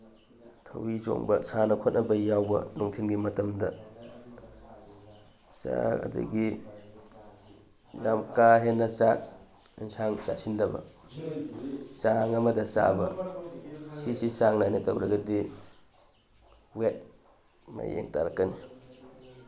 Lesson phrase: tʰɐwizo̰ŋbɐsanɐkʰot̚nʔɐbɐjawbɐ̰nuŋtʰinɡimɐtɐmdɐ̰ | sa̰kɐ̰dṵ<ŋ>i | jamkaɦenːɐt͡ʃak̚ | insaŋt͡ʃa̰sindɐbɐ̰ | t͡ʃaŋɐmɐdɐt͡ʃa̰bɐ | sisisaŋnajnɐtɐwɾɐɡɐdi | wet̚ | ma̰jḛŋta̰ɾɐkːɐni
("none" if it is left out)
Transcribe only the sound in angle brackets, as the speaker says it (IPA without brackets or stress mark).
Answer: ɡ